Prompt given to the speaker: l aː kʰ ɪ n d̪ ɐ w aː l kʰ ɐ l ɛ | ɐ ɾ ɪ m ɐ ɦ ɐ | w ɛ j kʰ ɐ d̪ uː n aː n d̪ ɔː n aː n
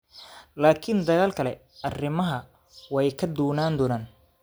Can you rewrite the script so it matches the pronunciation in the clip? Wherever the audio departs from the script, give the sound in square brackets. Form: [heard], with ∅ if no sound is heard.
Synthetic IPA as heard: l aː kʰ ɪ n d̪ ɐ [ɣ] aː l kʰ ɐ l ɛ | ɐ [r] ɪ m ɐ ɦ ɐ | w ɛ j kʰ ɐ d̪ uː n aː n d̪ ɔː n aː n

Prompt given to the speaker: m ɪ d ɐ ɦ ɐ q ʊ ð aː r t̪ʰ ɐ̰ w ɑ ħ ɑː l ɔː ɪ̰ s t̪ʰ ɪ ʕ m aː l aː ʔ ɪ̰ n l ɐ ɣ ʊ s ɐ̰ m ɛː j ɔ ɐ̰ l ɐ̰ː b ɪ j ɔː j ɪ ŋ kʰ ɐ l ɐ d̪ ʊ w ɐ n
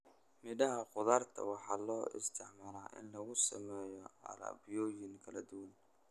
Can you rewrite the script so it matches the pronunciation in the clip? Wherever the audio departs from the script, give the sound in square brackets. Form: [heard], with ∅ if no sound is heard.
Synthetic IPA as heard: m ɪ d ɐ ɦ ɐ q ʊ ð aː r t̪ʰ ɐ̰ w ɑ ħ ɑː l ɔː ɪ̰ s t̪ʰ ɪ ʕ m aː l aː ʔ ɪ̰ n l ɐ ɣ ʊ s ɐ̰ m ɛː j ɔ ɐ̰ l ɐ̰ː b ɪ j ɔː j ɪ ŋ kʰ ɐ l ɐ d̪ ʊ w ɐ n

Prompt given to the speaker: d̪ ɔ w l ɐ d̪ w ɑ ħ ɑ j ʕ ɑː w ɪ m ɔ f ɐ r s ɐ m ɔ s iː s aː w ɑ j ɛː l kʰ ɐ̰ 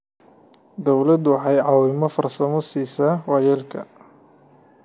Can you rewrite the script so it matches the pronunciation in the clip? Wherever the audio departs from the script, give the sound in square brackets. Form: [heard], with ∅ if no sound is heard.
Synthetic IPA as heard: d̪ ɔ w l ɐ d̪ w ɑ ħ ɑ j ʕ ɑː w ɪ m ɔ f ɐ r s ɐ m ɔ s iː s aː w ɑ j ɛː l kʰ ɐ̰

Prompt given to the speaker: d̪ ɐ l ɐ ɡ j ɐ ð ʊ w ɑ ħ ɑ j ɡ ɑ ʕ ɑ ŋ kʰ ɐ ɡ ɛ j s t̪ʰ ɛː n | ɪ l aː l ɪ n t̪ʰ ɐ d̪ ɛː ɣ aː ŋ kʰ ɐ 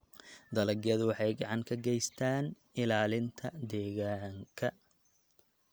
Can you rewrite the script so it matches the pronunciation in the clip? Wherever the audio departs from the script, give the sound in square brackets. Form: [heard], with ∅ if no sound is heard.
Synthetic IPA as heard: d̪ ɐ l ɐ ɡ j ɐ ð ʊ w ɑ ħ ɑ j ɡ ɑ ʕ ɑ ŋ kʰ ɐ ɡ ɛ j s t̪ʰ [aː] n | ɪ l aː l ɪ n t̪ʰ ɐ d̪ ɛː ɣ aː ŋ kʰ ɐ

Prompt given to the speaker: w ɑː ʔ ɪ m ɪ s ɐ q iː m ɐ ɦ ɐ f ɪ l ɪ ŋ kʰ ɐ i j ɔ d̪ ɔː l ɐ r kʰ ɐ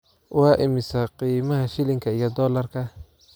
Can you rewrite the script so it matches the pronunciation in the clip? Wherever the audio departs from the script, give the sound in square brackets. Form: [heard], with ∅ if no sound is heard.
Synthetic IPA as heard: w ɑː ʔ ɪ m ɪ s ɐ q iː m ɐ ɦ ɐ [ʃ] ɪ l ɪ ŋ kʰ ɐ i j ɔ d̪ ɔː l ɐ r kʰ ɐ

